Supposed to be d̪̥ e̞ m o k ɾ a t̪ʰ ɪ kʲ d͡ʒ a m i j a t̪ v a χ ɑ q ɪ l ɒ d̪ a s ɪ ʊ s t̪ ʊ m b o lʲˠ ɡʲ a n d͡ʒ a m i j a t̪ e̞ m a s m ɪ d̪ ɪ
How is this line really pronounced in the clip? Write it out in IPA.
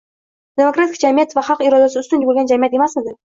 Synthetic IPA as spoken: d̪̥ e̞ m o k ɾ a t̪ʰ ɪ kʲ d͡ʒ a m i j a t̪ v a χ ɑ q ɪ ɾ ɒ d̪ a s ɪ ʊ s t̪ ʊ n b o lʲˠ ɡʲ a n d͡ʒ a m i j a t̪ e̞ m a s m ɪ d̪ ɪ